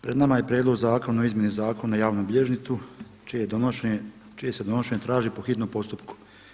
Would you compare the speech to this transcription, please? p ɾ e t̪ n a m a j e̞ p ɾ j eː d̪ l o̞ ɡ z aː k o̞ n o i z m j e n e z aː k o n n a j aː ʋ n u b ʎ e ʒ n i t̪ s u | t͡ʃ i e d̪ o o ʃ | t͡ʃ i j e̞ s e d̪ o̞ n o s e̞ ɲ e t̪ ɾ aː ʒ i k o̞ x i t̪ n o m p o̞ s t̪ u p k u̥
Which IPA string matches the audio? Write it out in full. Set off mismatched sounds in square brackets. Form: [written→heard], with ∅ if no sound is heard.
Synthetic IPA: p ɾ e [t̪→d̪] n a m a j e̞ p ɾ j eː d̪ l o̞ ɡ z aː k o̞ n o i z m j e n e z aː k o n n a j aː ʋ n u b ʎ e ʒ n i t̪ s u | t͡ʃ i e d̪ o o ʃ | t͡ʃ i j e̞ s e d̪ o̞ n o [s→ʃ] e̞ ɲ e t̪ ɾ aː ʒ i [k→p] o̞ x i t̪ n o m p o̞ s t̪ u p k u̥